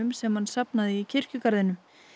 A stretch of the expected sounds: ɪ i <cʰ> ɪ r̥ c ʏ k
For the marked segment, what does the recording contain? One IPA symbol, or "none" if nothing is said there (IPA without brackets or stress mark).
cʰ